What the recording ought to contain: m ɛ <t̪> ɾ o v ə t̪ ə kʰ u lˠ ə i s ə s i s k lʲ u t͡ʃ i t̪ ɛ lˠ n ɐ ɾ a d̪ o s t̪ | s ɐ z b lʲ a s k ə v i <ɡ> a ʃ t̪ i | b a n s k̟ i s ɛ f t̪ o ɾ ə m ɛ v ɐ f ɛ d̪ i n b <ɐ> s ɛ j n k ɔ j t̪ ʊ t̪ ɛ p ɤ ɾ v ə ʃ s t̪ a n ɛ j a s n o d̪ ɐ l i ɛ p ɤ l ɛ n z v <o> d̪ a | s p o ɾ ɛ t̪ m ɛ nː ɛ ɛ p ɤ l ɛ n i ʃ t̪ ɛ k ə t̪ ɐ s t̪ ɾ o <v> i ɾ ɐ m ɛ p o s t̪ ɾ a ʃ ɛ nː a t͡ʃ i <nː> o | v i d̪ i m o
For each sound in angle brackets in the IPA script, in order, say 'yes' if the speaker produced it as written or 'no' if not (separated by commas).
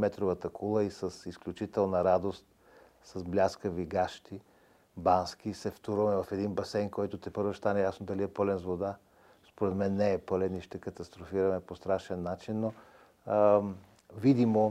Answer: yes, yes, yes, yes, no, yes